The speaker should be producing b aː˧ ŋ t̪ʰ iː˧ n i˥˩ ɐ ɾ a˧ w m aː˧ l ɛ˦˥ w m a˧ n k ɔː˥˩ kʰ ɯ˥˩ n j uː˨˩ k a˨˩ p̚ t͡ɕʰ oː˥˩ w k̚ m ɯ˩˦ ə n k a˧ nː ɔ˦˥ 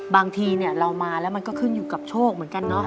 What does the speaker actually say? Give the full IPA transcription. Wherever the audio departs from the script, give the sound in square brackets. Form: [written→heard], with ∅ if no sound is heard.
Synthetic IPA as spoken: b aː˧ ŋ t̪ʰ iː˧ n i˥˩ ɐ ɾ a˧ w m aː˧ l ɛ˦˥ w m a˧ n k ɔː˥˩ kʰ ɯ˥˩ n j uː˨˩ k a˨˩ p̚ t͡ɕʰ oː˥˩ [w→∅] k̚ m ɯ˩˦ ə n k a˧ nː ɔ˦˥